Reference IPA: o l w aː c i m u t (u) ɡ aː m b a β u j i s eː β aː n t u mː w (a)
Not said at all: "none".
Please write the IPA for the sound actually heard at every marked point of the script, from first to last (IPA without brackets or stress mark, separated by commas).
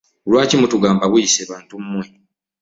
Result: u, e